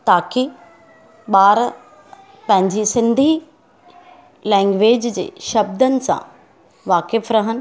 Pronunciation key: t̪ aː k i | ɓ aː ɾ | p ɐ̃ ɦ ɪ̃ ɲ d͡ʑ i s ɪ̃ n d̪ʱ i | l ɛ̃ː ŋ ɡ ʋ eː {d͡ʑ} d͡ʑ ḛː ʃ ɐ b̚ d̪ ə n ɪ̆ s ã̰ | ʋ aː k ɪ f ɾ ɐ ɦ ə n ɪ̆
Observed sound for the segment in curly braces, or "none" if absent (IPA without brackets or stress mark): d͡ʑ